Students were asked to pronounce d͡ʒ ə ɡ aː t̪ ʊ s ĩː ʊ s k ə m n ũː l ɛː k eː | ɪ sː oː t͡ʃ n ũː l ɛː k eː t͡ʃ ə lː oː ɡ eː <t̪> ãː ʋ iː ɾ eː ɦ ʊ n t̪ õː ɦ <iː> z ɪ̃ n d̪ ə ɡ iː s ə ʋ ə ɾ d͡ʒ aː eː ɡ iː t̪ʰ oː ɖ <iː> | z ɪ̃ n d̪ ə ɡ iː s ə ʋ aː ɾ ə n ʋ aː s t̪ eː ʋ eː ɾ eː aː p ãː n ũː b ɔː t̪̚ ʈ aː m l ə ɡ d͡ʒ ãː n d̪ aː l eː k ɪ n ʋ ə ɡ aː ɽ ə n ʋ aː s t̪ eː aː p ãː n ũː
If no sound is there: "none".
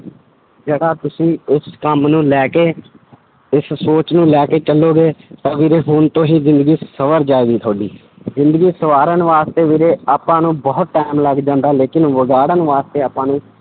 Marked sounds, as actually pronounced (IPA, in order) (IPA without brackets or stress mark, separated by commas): t̪, iː, iː